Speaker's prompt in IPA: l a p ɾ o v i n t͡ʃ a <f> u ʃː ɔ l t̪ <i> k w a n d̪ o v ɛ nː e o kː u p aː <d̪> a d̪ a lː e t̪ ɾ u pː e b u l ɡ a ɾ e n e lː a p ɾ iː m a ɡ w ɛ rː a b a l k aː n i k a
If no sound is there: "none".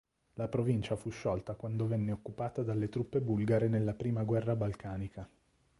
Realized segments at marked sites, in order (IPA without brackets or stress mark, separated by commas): f, a, t̪